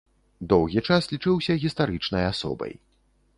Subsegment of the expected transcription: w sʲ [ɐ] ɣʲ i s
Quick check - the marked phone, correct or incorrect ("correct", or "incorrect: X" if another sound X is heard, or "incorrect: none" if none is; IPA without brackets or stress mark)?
correct